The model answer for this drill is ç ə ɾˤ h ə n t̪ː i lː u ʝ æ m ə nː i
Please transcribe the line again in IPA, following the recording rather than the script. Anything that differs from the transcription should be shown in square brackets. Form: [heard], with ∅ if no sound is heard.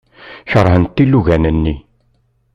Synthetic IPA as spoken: ç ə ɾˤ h ə n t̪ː i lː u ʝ æ [n] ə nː i